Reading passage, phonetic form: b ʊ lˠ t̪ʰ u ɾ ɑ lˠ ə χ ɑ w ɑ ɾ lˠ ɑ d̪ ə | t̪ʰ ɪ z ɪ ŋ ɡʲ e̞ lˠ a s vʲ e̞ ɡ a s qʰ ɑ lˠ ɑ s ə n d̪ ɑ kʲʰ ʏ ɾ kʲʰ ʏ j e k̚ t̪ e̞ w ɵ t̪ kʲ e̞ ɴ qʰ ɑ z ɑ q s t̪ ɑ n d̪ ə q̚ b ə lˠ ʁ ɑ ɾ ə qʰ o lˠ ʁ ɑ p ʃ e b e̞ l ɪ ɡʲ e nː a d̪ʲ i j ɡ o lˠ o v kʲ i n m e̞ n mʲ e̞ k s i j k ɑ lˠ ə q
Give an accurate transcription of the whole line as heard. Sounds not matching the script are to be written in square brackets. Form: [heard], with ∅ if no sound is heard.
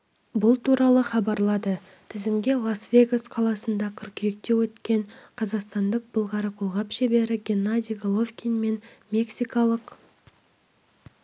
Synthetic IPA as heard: b ʊ lˠ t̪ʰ u ɾ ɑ lˠ ə χ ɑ [b] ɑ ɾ lˠ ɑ d̪ ə | t̪ʰ ɪ z ɪ [m] ɡʲ e̞ lˠ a s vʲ e̞ ɡ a s qʰ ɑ lˠ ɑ s ə n d̪ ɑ kʲʰ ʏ ɾ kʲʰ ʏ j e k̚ t̪ e̞ w ɵ t̪ kʲ e̞ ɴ qʰ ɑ z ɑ q s t̪ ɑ n d̪ ə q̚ b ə lˠ ʁ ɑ ɾ ə qʰ o lˠ ʁ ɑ p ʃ e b e̞ [ɾ] ɪ ɡʲ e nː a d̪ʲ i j ɡ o lˠ o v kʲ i n m e̞ n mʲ e̞ k s i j k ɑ lˠ ə q

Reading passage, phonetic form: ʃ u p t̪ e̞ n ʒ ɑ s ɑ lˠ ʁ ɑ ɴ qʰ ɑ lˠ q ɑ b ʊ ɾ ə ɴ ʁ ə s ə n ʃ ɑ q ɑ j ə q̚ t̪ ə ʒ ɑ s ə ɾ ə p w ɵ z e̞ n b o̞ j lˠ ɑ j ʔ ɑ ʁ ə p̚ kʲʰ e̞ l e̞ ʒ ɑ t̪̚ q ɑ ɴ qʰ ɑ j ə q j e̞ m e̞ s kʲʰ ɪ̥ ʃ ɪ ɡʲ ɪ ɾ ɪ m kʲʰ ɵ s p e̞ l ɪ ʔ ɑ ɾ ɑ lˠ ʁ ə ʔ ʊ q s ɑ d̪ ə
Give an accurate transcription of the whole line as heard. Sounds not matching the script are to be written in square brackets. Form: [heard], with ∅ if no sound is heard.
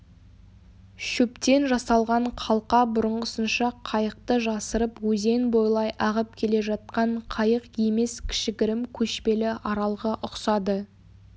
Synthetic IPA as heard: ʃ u p t̪ e̞ n ʒ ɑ s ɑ lˠ ʁ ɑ ɴ qʰ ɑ lˠ q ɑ b ʊ ɾ ə ɴ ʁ ə s ə n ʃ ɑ [qʰ] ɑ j ə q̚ t̪ ə ʒ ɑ s ə ɾ ə p w ɵ z e̞ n b o̞ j lˠ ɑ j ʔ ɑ ʁ ə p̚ kʲʰ e̞ l e̞ ʒ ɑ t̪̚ q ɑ ɴ qʰ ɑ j ə q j e̞ m e̞ s kʲʰ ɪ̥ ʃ ɪ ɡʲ ɪ ɾ ɪ m kʲʰ ɵ [ʃ] p e̞ l ɪ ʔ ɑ ɾ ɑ lˠ ʁ ə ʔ ʊ q s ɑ d̪ ə

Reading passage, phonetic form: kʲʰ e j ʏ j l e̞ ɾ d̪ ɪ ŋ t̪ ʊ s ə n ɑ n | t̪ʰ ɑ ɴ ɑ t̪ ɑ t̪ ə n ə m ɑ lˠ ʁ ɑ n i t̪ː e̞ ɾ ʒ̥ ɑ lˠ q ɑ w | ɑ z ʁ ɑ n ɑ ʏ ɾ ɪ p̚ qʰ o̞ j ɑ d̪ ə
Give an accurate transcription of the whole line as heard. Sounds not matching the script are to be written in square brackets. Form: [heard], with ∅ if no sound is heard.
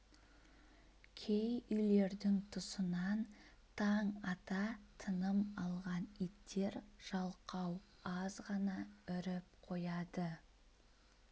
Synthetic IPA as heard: kʲʰ e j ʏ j l e̞ ɾ d̪ ɪ ŋ [t̪ʰ] ʊ s ə n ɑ n | t̪ʰ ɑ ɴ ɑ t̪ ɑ [t̪ʰ] ə n ə m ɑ lˠ ʁ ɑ n i t̪ː e̞ ɾ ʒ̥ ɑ lˠ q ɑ w | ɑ z ʁ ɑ n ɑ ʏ ɾ ɪ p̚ qʰ o̞ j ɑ d̪ ə

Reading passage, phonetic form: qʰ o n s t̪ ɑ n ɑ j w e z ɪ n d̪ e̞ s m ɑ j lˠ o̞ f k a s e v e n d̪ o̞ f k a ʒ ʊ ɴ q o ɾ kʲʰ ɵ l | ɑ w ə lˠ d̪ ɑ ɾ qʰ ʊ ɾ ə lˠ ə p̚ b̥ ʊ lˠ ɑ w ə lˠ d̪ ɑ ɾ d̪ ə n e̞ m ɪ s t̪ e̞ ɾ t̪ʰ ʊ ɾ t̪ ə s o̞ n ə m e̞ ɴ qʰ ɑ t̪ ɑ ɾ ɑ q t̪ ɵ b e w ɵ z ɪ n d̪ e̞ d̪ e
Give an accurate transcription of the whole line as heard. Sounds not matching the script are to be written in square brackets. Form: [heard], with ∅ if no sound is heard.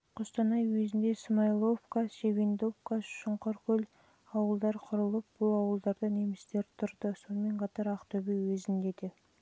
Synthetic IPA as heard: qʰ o [∅] s t̪ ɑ n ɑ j w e z ɪ n d̪ e̞ s m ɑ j lˠ o̞ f k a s e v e n d̪ o̞ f k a [ʃ] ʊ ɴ q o ɾ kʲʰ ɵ l | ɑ w ə lˠ d̪ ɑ ɾ qʰ ʊ ɾ ə lˠ ə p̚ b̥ ʊ lˠ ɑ w ə lˠ d̪ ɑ ɾ d̪ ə n e̞ m ɪ s t̪ e̞ ɾ t̪ʰ ʊ ɾ [d̪] ə s o̞ n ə m e̞ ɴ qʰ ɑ t̪ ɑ ɾ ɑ q t̪ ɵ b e w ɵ z ɪ n d̪ e̞ d̪ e

